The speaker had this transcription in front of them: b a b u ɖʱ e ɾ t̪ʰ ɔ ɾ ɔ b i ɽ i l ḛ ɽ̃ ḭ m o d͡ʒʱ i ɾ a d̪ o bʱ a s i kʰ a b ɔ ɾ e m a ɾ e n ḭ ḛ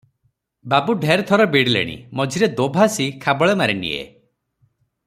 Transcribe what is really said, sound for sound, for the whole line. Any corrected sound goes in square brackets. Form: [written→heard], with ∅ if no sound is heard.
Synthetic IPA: b a b u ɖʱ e ɾ t̪ʰ ɔ ɾ ɔ b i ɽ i l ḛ ɽ̃ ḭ m [o→ɔ] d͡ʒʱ i ɾ [a→e] d̪ o bʱ a s i kʰ a b ɔ [ɾ→ɭ] e m a ɾ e n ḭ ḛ